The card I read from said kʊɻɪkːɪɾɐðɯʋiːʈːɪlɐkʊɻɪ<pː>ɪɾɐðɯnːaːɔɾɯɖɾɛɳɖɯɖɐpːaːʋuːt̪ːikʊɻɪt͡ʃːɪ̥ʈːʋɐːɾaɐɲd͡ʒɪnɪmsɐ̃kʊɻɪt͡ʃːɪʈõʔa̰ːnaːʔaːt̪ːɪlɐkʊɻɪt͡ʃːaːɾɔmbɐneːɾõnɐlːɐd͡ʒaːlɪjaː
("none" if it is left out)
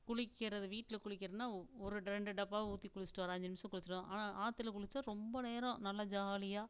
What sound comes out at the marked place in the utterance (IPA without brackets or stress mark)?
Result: kː